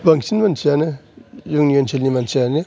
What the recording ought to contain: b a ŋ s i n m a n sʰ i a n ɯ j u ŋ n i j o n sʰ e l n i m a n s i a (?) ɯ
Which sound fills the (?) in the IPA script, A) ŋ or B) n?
B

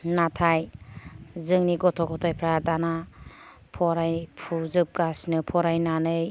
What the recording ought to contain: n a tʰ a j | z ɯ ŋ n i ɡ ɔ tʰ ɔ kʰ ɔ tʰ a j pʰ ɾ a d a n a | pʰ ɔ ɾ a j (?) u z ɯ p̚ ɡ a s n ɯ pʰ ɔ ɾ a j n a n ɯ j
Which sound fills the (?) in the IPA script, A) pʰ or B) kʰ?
A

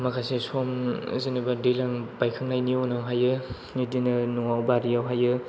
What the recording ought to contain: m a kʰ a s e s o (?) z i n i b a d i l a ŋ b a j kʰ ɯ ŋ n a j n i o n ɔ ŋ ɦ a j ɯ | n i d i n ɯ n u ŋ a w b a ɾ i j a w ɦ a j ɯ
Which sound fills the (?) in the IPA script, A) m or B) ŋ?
A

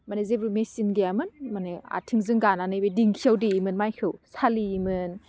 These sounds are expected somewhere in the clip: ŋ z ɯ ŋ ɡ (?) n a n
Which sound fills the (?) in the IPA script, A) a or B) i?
A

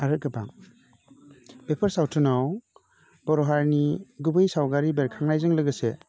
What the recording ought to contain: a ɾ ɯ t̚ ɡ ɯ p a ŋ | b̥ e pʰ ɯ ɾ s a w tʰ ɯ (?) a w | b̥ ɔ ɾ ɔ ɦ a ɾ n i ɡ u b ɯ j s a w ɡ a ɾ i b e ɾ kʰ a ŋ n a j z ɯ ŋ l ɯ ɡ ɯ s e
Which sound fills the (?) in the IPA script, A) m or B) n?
B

